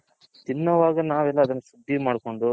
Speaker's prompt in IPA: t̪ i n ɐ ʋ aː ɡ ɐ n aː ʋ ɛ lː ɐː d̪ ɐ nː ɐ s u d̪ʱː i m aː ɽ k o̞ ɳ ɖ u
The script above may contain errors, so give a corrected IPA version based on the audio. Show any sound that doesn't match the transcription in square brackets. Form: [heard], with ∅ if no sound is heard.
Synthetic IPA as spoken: t̪ i [nː] ɐ ʋ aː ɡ ɐ n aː ʋ ɛ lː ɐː d̪ ɐ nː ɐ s u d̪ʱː i m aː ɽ k o̞ ɳ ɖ u